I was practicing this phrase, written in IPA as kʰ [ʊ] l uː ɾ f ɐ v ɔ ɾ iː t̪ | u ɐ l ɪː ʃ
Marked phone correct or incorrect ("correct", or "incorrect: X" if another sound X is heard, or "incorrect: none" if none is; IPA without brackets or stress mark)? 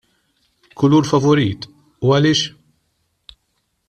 correct